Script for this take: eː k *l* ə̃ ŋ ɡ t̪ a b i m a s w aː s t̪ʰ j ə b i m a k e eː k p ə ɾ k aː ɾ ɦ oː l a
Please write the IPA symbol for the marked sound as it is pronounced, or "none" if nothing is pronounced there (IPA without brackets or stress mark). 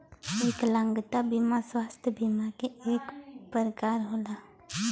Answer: l